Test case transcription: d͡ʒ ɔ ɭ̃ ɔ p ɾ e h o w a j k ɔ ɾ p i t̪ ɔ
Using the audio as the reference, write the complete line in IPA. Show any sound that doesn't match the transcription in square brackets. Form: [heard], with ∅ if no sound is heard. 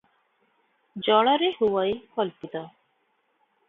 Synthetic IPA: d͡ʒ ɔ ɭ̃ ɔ [∅] ɾ e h [u] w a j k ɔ [l] p i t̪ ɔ